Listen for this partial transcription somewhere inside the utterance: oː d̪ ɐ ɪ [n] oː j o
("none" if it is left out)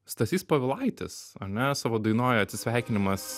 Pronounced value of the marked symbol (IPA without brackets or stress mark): n